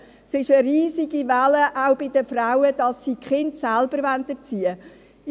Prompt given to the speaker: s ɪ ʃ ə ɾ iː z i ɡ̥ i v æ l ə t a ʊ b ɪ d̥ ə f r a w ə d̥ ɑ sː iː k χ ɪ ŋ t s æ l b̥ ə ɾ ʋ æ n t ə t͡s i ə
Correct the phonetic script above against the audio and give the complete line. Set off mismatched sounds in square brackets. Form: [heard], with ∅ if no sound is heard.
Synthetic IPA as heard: s ɪ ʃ ə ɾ iː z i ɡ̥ i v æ l ə [ʔ] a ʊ b ɪ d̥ ə f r a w ə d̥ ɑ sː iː k χ ɪ [n] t s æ l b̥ ə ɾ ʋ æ n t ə t͡s i ə